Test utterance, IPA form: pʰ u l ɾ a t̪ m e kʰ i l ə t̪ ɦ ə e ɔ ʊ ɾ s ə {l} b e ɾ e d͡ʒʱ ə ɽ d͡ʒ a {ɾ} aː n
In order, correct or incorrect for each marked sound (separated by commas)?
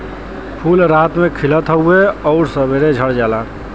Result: incorrect, incorrect